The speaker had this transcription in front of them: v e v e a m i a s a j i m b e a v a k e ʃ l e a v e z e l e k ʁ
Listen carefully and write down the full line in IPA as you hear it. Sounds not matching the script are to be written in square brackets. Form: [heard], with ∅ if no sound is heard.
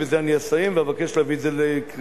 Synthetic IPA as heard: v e [z] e a [n] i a s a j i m [v] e a v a k e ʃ l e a v [i] z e l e k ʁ